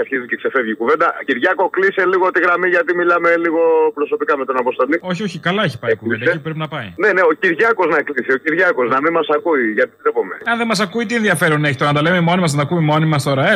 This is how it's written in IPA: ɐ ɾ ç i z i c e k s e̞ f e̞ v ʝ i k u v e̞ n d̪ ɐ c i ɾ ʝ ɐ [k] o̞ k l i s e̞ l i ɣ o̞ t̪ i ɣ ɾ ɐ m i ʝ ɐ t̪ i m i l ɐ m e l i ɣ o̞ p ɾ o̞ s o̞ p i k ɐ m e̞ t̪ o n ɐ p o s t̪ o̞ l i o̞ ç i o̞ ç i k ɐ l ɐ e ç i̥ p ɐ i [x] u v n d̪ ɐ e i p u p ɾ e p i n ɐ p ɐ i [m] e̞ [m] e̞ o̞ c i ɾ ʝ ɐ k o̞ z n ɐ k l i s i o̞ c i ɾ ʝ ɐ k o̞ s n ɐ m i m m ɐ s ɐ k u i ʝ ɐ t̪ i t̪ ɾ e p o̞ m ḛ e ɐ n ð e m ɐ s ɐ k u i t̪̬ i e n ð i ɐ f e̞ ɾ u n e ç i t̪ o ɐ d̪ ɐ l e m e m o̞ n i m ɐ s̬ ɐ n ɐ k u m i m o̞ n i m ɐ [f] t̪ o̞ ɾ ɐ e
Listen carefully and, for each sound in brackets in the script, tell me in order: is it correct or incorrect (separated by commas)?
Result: correct, incorrect, incorrect, incorrect, incorrect